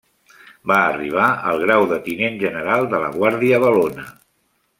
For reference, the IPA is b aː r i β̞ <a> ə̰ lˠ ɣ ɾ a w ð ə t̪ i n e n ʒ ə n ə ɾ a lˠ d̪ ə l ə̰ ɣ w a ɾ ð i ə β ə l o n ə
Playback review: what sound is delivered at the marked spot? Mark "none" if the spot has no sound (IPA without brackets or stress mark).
a